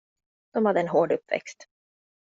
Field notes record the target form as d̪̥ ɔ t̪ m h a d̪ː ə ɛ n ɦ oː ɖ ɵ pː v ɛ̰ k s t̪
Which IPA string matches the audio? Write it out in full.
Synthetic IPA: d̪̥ ɔ m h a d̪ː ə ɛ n ɦ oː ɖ ɵ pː v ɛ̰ k s t̪